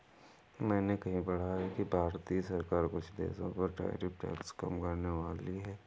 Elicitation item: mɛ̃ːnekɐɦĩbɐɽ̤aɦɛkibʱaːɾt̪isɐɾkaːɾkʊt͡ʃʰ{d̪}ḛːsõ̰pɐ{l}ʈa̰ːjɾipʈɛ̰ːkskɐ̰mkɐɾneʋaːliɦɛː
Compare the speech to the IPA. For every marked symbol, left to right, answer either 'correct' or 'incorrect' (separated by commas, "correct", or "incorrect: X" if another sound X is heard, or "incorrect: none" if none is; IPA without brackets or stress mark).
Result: correct, incorrect: ɾ